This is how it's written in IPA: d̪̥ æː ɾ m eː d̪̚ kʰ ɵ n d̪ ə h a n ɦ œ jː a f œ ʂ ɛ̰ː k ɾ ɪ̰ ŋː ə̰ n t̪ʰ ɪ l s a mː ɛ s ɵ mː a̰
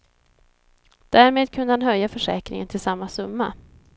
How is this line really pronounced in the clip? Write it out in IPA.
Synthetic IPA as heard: d̪̥ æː ɾ m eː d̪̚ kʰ ɵ n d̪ ə h a n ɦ œ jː a f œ ʂ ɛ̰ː k ɾ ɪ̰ ŋ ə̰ n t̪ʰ ɪ l s a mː a s ɵ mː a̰